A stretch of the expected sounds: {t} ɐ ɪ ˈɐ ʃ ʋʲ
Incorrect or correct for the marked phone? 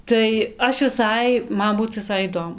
correct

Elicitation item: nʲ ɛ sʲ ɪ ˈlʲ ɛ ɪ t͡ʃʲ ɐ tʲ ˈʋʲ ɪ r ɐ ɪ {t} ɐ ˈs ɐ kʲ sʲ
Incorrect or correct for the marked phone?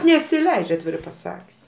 incorrect: p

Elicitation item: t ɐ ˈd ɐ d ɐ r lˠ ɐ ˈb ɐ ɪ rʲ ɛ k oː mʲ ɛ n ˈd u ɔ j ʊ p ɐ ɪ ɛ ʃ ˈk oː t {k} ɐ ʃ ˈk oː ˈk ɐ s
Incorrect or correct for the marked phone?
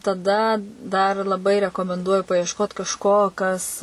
correct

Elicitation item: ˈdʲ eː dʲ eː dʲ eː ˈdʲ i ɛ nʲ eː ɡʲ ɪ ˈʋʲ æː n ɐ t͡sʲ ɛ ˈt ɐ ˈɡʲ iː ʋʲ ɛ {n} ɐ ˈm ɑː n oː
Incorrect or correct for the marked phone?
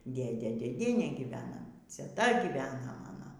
correct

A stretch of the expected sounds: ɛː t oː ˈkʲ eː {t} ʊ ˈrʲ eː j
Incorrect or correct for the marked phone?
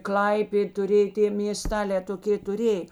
correct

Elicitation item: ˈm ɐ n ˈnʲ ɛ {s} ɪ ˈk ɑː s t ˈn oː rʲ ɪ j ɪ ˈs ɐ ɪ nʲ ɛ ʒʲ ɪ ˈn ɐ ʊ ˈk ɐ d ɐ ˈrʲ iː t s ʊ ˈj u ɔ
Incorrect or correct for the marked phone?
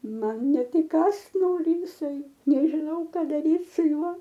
incorrect: t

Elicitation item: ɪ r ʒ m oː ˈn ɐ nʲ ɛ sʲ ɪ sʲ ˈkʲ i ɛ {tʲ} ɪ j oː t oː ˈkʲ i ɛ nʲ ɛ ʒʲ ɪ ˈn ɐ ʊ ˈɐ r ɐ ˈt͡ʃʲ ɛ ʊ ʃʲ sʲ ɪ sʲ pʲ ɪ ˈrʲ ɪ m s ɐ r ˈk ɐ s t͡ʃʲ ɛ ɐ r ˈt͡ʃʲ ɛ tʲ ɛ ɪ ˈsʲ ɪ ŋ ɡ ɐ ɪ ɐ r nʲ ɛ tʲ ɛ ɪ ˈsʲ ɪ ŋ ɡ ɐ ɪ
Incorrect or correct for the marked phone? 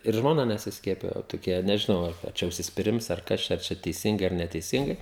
incorrect: pʲ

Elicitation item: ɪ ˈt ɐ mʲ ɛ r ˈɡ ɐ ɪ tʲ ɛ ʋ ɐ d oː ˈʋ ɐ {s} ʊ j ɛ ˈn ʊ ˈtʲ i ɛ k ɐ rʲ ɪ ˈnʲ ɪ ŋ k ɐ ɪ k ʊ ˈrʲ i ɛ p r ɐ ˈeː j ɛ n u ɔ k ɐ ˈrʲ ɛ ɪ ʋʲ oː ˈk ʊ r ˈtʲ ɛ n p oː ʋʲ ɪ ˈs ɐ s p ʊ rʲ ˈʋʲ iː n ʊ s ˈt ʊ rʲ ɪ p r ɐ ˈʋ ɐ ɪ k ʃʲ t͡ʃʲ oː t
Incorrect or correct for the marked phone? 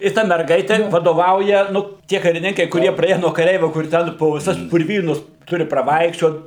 incorrect: none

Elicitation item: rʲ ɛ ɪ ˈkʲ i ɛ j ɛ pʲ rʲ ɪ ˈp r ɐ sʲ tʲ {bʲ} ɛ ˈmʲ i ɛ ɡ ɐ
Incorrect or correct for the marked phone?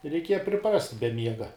correct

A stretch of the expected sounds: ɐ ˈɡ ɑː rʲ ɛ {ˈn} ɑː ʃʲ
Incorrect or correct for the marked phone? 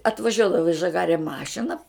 incorrect: m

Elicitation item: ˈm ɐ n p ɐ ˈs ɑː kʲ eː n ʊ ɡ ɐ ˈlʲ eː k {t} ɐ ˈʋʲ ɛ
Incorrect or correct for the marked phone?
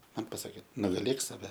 incorrect: s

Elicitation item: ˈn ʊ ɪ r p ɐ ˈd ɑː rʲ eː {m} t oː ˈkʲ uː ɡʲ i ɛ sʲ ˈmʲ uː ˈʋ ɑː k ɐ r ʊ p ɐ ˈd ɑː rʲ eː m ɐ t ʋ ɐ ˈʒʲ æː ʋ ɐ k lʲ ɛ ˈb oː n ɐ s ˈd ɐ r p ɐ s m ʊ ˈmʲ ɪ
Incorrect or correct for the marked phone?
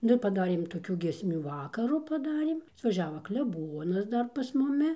correct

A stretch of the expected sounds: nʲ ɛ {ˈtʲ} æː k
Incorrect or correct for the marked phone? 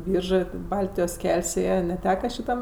correct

